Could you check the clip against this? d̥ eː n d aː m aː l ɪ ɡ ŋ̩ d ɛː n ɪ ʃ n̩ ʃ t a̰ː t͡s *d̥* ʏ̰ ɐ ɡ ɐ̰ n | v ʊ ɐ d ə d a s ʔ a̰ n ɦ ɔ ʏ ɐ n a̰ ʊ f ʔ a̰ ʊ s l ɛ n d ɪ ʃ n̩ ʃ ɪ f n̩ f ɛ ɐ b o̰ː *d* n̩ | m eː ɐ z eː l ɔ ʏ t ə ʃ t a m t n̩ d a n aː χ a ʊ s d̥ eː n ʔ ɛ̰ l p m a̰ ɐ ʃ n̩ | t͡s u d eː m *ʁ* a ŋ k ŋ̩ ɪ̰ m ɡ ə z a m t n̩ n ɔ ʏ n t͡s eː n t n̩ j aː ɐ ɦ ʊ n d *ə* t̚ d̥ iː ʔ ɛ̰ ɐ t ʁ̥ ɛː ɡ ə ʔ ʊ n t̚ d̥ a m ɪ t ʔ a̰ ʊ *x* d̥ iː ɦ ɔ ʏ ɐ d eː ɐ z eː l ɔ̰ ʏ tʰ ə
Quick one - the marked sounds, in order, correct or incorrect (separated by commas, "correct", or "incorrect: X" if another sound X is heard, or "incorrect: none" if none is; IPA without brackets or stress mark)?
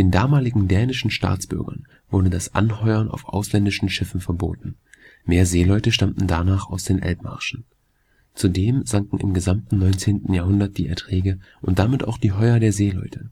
incorrect: b̥, incorrect: t, incorrect: z, incorrect: ɐ, correct